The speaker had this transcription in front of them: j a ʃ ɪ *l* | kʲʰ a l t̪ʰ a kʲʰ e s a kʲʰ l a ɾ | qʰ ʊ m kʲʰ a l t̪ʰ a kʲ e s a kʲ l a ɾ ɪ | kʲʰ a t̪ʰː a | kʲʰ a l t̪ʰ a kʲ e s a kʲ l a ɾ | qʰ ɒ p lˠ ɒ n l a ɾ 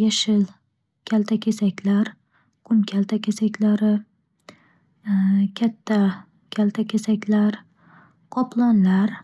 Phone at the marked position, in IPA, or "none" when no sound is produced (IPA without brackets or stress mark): l